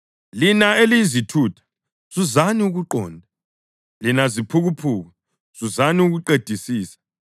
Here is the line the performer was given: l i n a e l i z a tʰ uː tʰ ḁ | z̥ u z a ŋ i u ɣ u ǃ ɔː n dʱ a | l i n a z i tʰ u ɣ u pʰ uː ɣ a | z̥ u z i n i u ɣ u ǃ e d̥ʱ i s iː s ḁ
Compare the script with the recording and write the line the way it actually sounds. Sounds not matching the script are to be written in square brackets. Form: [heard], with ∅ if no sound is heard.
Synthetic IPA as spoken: l i n a e l i z [i] tʰ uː tʰ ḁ | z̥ u z a [n] i u ɣ u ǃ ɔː n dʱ a | l i n a z i [pʰ] u ɣ u pʰ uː ɣ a | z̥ u z [a] n i u ɣ u ǃ e d̥ʱ i s iː s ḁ

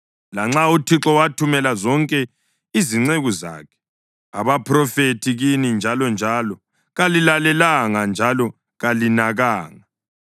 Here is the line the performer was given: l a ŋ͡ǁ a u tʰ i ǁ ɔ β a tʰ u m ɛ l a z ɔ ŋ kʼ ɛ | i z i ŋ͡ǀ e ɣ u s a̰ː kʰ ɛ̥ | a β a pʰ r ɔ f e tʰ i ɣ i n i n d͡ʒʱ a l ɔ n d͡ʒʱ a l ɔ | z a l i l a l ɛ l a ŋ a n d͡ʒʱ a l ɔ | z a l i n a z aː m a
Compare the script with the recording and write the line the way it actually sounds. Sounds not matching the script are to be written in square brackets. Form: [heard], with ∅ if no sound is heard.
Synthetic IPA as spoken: l a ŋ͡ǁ a u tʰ i ǁ ɔ [w] a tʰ u m ɛ l a z ɔ ŋ kʼ ɛ | i z i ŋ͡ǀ e ɣ u [z] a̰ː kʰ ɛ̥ | a β a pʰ r ɔ f e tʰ i ɣ i n i n d͡ʒʱ a l ɔ n d͡ʒʱ a l ɔ | [ɣ] a l i l a l ɛ l a ŋ a n d͡ʒʱ a l ɔ | [ɣ] a l i n a [ɣ] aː [ŋ] a

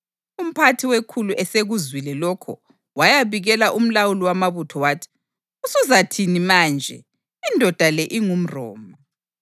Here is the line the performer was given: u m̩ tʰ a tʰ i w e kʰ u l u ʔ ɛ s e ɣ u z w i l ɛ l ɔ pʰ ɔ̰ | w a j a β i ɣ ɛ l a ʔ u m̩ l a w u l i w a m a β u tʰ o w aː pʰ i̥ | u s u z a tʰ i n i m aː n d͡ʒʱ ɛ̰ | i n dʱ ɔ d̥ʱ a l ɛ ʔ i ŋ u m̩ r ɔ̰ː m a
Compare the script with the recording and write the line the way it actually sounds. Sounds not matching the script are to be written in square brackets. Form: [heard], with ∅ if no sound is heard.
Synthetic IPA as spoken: u m̩ [pʰ] a tʰ i w e kʰ u l u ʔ ɛ s e ɣ u z w i l ɛ l ɔ [kʰ] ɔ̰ | w a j a β i ɣ ɛ l a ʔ u m̩ l a w u l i w a m a β u tʰ [ɔ] w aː [tʰ] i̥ | u s u z a tʰ i n i m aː n d͡ʒʱ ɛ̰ | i n dʱ ɔ d̥ʱ a l ɛ ʔ i ŋ u m̩ r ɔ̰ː m a

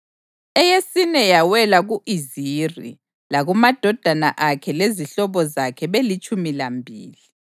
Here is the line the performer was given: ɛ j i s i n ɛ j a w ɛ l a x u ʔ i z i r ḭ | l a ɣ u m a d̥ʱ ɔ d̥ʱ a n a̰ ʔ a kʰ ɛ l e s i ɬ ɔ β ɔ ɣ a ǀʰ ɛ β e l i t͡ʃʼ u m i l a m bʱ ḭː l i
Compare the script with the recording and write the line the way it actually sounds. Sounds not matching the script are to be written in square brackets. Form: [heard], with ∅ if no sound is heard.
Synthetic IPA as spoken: ɛ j [e] s i n ɛ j a w ɛ l a [ɣ] u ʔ i z i r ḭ | l a ɣ u m a d̥ʱ ɔ d̥ʱ a n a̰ ʔ a kʰ ɛ l e [z] i ɬ ɔ β ɔ [z] a [kʰ] ɛ β e l i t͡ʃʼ u m i l a m bʱ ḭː l i

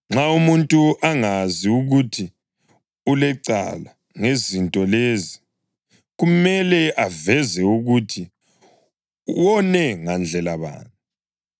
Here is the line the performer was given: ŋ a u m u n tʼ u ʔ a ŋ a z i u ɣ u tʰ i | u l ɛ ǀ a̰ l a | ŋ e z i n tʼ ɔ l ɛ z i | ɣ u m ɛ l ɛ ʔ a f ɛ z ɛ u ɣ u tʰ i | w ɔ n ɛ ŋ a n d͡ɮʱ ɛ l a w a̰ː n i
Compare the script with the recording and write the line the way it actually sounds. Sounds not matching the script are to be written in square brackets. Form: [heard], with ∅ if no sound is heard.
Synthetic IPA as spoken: [ŋ͡ǁ] a u m u n tʼ u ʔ a ŋ a z i u ɣ u tʰ i | u l ɛ ǀ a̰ l a | ŋ e z i n tʼ ɔ l [e] z i | ɣ u m ɛ l ɛ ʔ a [v] ɛ z ɛ u ɣ u tʰ i | w ɔ n ɛ ŋ a n d͡ɮʱ ɛ l a [β] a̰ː n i

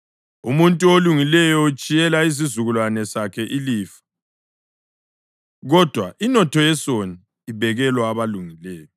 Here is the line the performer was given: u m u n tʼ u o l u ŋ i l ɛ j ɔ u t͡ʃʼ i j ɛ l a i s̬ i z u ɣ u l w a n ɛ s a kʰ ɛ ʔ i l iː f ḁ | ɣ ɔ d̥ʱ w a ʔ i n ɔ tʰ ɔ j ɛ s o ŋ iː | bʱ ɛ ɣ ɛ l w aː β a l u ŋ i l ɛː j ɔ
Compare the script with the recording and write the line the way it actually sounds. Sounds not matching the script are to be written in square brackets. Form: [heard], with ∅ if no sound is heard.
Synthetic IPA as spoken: u m u n tʼ u o l u ŋ i l ɛ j ɔ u t͡ʃʼ i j ɛ l a i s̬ i z u ɣ u l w a n ɛ s a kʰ ɛ ʔ i l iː f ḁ | ɣ ɔ d̥ʱ w a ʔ i n ɔ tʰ ɔ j ɛ s o [n] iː | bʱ ɛ ɣ ɛ l w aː β a l u ŋ i l ɛː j ɔ

